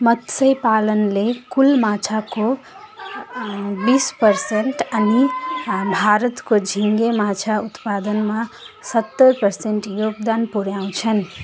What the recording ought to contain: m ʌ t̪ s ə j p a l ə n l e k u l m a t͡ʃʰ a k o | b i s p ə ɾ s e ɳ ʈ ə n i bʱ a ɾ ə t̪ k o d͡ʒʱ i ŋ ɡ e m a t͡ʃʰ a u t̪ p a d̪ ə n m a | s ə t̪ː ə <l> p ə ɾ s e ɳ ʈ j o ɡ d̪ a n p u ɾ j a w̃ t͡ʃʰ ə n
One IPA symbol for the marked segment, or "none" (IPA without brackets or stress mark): ɾ